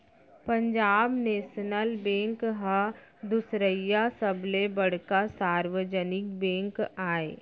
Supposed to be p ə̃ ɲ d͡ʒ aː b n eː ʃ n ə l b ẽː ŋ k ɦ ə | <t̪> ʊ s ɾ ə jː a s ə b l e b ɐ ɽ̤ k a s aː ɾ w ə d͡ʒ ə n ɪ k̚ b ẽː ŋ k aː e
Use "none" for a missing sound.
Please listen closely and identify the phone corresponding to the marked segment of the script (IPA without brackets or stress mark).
d̪